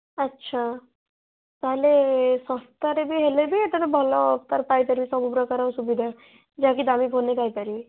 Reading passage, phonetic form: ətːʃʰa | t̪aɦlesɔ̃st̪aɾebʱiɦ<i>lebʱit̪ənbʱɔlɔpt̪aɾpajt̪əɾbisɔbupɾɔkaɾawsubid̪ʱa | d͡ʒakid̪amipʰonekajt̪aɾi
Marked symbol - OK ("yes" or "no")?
no